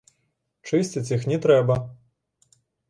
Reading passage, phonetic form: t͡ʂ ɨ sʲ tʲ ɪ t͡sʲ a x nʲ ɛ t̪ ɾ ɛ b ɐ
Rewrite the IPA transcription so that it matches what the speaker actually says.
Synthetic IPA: t͡ʂ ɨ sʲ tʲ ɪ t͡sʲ i x nʲ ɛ t̪ ɾ ɛ b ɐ